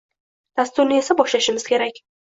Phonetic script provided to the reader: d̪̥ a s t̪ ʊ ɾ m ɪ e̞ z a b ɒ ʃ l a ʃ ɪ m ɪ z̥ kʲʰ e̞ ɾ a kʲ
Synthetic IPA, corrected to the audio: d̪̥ a s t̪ ʊ ɾ n ɪ e̞ s a b ɒ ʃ l a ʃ ɪ m ɪ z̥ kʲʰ e̞ ɾ a kʲ